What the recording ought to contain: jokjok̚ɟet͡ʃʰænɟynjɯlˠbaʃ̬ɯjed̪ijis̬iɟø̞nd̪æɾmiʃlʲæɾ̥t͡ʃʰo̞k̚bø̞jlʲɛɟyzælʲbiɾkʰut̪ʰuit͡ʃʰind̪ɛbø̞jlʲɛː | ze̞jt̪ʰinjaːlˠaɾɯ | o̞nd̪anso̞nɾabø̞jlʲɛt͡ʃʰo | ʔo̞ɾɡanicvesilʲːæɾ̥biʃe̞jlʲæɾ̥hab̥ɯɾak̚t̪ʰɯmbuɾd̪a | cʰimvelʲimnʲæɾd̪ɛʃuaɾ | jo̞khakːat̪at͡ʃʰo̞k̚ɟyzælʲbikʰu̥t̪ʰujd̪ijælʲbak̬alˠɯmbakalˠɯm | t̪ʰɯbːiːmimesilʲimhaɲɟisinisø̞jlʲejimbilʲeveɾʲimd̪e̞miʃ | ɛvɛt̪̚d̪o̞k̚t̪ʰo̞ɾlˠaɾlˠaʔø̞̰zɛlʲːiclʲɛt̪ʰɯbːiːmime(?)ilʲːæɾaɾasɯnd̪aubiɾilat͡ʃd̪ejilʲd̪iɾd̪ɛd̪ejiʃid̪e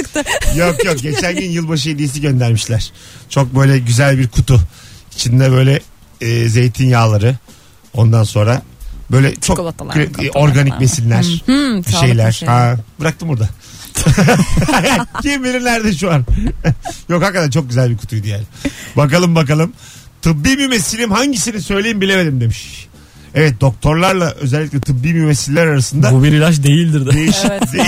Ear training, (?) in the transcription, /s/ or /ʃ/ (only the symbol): s